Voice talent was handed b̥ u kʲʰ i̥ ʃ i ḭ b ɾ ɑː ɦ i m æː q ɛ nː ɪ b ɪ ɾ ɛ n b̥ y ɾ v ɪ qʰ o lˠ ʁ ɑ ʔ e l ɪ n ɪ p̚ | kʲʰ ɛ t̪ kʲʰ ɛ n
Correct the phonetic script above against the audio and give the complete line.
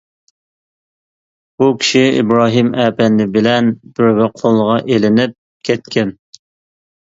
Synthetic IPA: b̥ u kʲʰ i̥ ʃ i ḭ b ɾ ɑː ɦ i m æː p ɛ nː ɪ b ɪ l ɛ n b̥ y ɾ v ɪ qʰ o lˠ ʁ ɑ ʔ e l ɪ n ɪ p̚ | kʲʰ ɛ t̪ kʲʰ ɛ n